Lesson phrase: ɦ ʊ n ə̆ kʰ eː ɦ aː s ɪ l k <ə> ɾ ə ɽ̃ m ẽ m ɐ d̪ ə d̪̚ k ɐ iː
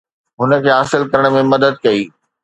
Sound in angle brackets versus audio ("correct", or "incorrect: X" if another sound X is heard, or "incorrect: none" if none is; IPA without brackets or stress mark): incorrect: ɐ